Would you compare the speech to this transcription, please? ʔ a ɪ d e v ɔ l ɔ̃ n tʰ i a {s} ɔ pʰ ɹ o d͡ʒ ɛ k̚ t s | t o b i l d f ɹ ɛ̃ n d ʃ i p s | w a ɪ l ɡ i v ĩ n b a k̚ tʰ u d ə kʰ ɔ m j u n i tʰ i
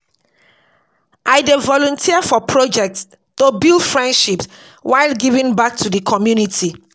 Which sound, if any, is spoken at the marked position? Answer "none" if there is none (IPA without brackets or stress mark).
f